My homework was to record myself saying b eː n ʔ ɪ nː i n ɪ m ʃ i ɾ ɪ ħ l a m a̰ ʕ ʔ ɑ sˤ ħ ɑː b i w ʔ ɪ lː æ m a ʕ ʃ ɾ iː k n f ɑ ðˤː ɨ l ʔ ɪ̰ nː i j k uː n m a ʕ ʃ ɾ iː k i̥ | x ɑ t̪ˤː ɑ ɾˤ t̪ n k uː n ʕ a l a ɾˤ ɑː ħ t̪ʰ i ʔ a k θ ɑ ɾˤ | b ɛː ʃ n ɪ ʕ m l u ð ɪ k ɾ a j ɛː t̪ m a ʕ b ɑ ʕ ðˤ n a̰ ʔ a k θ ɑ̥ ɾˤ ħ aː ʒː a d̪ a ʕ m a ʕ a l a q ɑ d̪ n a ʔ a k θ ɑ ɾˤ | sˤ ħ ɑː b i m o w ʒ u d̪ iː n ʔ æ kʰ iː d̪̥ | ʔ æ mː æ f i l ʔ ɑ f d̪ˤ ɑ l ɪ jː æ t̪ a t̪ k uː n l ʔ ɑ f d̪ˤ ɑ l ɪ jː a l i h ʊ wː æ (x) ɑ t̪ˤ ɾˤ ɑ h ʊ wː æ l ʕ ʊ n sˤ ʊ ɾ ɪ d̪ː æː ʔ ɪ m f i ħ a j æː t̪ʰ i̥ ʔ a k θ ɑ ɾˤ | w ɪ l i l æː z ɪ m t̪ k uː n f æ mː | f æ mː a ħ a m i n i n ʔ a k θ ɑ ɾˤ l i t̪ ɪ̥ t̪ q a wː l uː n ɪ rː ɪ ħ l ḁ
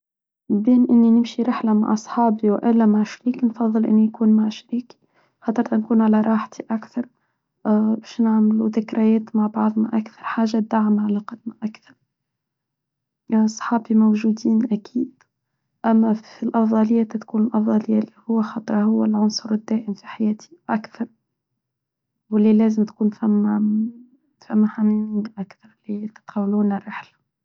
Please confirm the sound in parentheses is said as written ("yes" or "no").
yes